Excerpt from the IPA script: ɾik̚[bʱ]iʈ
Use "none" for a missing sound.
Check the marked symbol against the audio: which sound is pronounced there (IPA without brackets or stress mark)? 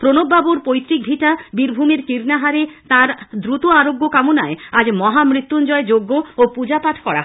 bʱ